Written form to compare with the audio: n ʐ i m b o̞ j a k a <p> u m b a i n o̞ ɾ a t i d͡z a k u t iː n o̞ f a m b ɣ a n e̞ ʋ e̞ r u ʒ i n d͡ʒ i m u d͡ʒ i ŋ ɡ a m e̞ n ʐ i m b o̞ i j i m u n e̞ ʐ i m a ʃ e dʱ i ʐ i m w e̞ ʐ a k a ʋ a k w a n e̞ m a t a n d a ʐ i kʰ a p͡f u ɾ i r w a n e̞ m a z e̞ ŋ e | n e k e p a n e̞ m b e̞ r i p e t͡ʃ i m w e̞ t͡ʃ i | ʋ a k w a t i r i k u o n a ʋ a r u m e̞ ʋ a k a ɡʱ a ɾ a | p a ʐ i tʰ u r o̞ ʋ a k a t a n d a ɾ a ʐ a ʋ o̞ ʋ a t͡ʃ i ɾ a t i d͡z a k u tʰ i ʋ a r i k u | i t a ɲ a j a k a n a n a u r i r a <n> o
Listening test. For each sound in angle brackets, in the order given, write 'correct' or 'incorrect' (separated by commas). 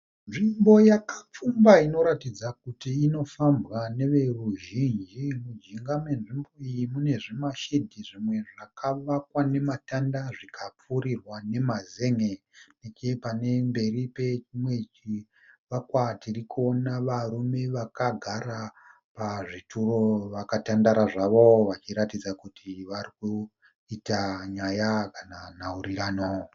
incorrect, correct